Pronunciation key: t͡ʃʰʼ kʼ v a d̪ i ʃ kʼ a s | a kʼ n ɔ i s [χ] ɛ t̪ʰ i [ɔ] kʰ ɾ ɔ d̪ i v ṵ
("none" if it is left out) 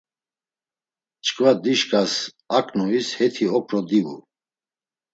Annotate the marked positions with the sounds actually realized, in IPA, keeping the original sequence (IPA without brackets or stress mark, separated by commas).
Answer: h, ɔ